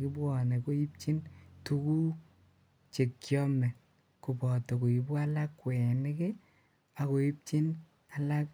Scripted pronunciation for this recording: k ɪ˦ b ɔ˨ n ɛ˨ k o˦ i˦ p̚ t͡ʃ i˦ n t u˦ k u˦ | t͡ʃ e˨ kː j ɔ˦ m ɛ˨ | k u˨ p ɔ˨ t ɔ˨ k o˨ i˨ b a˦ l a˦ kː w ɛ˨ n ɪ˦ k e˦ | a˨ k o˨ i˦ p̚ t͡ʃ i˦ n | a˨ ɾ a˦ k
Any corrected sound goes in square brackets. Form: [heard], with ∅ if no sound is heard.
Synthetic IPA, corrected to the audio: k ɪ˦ b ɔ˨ n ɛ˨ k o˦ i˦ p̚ t͡ʃ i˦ n t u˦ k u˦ | t͡ʃ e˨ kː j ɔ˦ m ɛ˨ | k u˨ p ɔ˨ t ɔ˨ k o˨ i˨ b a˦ l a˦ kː w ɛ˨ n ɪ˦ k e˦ | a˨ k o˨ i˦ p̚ t͡ʃ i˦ n | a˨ [l] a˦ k